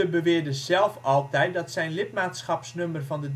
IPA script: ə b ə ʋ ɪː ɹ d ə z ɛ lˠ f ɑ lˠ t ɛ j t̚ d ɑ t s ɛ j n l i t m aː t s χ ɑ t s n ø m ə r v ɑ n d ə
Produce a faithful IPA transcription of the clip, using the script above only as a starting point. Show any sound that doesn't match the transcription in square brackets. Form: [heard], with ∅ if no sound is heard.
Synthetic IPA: ə b ə ʋ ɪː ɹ d ə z ɛ lˠ f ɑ lˠ t ɛ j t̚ d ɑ t s ɛ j n l [ɪ] t m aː t s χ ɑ [p] s n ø m ə r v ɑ n d ə